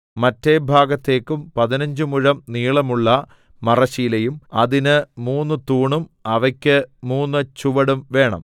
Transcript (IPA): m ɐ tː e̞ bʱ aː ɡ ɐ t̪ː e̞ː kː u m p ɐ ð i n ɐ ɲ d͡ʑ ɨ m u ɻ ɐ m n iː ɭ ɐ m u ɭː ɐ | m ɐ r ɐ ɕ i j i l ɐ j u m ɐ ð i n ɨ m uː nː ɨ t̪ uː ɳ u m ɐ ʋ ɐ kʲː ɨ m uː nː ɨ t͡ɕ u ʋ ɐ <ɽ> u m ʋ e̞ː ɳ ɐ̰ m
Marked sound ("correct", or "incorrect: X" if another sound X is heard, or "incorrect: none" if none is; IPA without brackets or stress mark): correct